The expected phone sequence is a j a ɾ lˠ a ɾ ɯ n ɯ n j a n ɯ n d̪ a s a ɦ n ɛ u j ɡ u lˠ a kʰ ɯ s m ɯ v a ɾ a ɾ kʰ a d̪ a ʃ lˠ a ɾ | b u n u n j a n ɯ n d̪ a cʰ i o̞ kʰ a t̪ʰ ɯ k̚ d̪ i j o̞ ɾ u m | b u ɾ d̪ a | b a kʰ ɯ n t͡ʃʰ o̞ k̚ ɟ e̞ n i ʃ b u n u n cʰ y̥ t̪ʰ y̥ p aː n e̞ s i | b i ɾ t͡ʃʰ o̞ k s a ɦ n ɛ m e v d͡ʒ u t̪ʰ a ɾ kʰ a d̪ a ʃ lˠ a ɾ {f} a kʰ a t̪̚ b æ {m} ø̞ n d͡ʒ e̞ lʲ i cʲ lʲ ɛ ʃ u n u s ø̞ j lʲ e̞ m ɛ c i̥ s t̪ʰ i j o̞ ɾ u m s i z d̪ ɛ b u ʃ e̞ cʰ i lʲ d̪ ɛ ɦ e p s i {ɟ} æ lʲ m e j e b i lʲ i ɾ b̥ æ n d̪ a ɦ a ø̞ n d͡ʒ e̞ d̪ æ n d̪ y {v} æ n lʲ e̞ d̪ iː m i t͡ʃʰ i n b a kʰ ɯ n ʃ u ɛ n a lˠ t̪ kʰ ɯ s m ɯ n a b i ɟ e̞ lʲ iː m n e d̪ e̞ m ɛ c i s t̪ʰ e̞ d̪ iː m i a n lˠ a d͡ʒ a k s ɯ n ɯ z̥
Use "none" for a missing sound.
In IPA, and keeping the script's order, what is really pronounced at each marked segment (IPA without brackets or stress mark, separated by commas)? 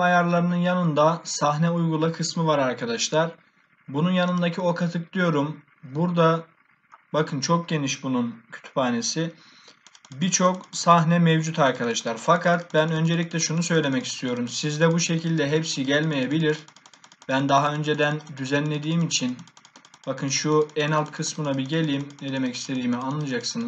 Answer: f, n, ɟ, z